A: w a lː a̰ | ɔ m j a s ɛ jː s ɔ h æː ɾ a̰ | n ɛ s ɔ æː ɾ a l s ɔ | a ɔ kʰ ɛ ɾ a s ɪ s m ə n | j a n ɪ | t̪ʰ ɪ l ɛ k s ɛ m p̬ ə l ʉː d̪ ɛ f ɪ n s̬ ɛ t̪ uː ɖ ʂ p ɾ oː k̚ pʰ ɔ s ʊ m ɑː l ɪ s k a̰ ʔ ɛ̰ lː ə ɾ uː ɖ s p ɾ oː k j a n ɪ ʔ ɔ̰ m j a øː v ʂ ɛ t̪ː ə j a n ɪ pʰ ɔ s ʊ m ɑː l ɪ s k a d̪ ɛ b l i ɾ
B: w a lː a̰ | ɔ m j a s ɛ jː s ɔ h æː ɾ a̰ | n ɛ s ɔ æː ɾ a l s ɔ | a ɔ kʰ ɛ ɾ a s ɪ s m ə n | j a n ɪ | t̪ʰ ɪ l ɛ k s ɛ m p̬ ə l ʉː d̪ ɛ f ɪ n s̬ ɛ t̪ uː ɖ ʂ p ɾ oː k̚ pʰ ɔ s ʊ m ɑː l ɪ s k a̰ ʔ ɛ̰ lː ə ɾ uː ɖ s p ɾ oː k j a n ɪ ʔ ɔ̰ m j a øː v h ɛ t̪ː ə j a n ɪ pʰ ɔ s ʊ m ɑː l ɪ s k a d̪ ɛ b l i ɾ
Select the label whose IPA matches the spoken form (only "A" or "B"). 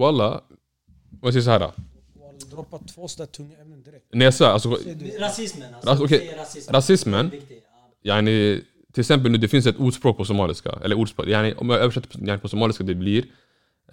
A